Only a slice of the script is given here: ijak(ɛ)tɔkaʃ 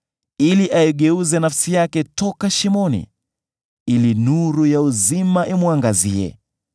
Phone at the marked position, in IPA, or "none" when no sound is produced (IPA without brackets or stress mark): ɛ